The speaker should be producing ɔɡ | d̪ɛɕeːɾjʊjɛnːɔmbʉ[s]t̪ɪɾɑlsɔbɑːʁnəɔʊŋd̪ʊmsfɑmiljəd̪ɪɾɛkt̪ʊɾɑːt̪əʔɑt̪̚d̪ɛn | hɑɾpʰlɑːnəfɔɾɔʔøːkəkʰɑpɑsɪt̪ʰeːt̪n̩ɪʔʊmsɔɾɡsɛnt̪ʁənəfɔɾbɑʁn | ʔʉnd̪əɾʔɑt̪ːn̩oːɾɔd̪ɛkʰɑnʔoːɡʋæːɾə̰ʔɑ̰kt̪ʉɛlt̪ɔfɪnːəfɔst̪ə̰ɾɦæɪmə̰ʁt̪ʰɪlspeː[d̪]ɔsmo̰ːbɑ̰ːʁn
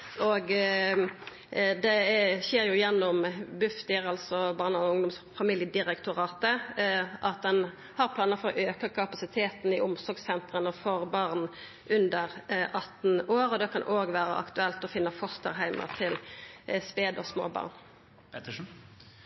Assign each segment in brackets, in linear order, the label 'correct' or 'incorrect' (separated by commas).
incorrect, correct